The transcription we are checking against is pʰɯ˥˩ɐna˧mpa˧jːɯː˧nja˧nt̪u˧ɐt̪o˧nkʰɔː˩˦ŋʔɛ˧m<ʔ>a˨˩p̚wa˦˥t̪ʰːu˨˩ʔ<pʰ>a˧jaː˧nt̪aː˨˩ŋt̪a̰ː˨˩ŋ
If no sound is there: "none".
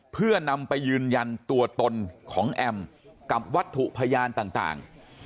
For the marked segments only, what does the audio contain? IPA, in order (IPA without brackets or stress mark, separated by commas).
k, pʰ